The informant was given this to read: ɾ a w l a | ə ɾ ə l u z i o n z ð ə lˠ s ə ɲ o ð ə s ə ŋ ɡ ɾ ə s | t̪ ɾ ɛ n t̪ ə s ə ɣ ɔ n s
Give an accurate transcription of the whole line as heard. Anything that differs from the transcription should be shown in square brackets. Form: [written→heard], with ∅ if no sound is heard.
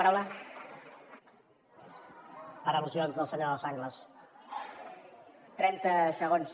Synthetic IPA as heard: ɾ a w l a | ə ɾ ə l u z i o n z ð ə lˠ s ə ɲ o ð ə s [ə→a] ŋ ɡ [ɾ→l] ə s | t̪ ɾ ɛ n t̪ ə s ə ɣ [ɔ→o] n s